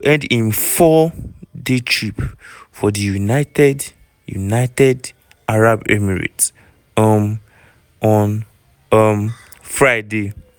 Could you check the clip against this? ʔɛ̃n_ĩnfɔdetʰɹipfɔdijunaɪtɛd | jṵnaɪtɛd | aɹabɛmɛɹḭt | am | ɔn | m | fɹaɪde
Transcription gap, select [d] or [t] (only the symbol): d